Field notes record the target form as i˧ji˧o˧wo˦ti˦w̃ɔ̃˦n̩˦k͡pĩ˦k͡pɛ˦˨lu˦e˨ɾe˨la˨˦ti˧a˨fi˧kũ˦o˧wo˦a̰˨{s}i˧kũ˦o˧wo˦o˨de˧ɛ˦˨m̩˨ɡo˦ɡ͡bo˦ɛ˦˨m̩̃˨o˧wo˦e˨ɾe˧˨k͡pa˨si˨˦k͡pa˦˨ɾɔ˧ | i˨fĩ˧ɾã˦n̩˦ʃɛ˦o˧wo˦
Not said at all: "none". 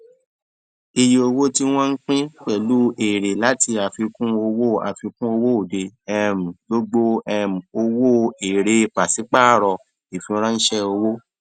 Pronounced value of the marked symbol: f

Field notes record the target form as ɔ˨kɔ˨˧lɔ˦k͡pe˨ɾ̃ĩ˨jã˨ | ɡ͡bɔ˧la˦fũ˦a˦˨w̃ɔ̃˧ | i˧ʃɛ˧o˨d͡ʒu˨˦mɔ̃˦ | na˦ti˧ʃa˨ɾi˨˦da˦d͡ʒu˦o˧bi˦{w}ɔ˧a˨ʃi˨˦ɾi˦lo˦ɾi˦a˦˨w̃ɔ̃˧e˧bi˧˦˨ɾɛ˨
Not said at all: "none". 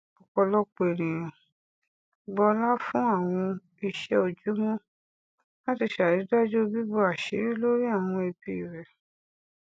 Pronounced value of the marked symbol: b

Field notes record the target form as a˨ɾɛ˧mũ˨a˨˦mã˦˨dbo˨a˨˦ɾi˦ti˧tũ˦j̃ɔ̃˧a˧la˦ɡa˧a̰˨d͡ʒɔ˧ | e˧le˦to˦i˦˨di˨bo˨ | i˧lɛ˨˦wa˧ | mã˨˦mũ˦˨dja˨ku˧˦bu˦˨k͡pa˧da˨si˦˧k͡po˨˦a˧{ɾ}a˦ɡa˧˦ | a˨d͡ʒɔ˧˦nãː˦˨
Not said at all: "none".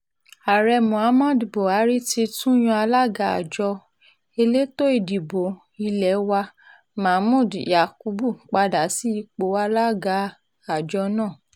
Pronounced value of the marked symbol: l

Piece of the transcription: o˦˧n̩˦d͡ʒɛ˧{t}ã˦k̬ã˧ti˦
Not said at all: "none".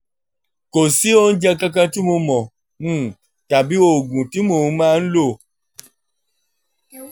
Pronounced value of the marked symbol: k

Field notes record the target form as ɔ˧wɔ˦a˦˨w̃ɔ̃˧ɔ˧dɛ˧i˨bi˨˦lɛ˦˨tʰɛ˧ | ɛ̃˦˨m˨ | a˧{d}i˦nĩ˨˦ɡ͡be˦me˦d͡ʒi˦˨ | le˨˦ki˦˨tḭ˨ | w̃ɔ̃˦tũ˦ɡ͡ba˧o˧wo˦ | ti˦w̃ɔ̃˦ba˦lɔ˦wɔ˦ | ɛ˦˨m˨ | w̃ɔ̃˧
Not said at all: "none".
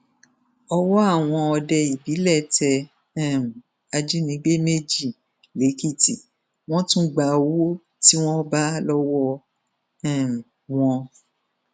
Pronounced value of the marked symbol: d͡ʒ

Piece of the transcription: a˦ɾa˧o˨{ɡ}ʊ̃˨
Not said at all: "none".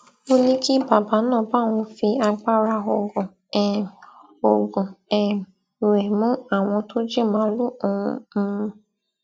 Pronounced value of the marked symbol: ɡ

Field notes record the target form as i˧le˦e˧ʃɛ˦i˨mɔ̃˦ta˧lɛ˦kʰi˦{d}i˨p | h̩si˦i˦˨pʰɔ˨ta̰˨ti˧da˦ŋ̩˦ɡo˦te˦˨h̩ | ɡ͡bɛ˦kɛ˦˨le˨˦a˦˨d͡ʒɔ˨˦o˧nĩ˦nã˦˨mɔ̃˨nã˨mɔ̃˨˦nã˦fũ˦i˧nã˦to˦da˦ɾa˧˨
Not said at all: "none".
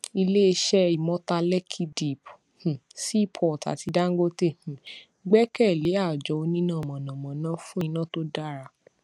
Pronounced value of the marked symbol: d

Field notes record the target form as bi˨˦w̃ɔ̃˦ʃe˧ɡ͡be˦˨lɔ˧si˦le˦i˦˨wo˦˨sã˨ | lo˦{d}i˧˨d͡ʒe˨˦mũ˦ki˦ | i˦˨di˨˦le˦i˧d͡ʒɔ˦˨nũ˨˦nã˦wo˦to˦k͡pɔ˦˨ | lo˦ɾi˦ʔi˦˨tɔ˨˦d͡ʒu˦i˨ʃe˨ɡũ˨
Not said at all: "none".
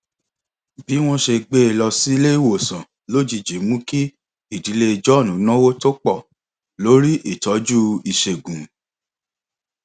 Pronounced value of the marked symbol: d͡ʒ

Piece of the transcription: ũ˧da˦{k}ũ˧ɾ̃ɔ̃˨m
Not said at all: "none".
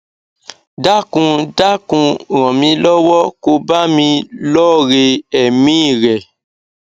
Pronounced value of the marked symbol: k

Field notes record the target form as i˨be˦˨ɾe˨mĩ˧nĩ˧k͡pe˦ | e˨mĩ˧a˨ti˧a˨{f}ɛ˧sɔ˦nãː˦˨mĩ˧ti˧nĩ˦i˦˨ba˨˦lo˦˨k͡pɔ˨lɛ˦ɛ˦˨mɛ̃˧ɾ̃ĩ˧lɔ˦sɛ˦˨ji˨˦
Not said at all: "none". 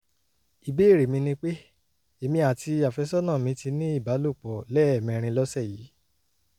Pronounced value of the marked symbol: f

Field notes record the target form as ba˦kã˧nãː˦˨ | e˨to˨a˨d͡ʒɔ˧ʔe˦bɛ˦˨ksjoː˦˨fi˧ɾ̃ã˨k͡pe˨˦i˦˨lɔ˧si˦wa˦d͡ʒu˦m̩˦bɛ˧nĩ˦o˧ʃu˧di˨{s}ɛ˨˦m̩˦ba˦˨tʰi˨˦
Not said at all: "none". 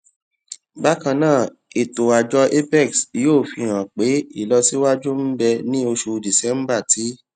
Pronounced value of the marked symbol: s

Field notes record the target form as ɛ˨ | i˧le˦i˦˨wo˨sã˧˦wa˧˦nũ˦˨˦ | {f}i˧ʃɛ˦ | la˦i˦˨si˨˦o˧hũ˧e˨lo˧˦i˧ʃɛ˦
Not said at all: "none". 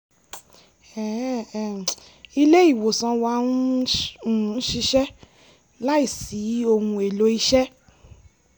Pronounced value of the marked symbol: ʃ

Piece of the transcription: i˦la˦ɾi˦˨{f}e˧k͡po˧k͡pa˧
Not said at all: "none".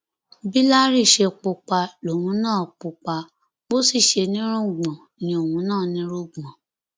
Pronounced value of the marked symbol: ʃ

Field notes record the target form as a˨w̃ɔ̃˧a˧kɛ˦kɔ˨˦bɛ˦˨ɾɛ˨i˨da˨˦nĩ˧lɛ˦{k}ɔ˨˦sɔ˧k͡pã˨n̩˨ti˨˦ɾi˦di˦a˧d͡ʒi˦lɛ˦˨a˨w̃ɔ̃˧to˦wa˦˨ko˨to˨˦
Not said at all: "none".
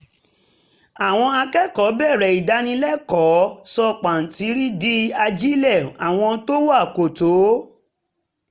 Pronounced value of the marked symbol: k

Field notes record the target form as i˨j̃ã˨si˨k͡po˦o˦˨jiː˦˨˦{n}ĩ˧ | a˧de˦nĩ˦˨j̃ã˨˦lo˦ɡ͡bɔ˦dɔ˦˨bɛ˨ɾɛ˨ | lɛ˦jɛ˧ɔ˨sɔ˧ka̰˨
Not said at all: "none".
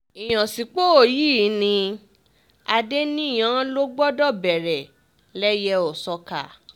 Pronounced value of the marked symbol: n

